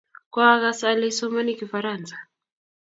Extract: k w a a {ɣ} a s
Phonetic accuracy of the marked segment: correct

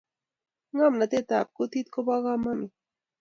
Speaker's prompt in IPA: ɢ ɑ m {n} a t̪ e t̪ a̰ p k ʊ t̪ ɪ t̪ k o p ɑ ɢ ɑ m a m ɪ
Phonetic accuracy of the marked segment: correct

